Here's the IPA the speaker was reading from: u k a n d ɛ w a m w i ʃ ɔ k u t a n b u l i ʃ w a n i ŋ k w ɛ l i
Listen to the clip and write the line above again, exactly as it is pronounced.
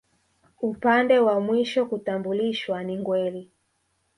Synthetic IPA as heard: u p a n d ɛ w a m w i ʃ ɔ k u t a m b u l i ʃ w a n i ŋ ɡ w ɛ l i